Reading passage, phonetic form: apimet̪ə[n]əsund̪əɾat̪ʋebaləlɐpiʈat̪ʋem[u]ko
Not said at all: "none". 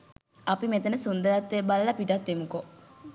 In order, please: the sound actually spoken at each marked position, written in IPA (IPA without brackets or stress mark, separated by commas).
n, u